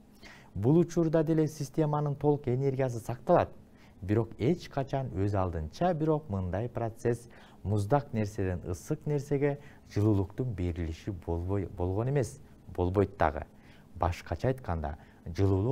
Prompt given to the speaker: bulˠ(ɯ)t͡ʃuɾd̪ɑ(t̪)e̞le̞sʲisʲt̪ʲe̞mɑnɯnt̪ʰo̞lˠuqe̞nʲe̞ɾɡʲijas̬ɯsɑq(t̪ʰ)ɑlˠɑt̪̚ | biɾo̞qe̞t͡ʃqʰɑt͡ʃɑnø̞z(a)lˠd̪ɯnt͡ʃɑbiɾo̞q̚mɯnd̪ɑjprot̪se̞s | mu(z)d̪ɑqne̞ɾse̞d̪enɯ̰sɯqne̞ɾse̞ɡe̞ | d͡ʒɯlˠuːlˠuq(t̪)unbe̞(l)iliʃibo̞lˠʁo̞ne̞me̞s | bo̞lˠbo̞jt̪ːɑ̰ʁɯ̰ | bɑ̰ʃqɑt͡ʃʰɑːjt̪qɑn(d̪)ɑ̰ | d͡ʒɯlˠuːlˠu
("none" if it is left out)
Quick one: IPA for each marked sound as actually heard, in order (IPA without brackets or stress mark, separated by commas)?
u, d̪, t̪, ɑ, z, t̪, ɾ, d̪